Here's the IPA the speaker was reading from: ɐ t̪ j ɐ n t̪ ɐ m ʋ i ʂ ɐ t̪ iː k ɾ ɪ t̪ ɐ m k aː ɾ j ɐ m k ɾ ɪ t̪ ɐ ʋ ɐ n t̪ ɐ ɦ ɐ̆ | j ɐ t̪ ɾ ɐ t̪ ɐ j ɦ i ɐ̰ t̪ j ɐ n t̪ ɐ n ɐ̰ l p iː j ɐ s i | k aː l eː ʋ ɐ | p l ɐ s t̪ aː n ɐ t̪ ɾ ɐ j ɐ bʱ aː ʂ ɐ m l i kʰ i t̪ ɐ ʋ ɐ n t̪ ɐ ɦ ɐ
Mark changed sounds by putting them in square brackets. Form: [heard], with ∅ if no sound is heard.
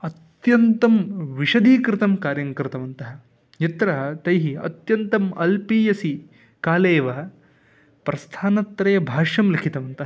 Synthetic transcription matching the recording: ɐ t̪ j ɐ n t̪ ɐ m ʋ i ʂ ɐ [d̪] iː k ɾ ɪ t̪ ɐ m k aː ɾ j ɐ [ŋ] k ɾ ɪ t̪ ɐ ʋ ɐ n t̪ ɐ ɦ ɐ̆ | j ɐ t̪ ɾ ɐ t̪ ɐ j ɦ i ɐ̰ t̪ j ɐ n t̪ ɐ [m] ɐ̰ l p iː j ɐ s i | k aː l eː ʋ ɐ | p [ɾ] ɐ s [t̪ʰ] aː n ɐ t̪ ɾ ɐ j ɐ bʱ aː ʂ ɐ m l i kʰ i t̪ ɐ ʋ ɐ n t̪ ɐ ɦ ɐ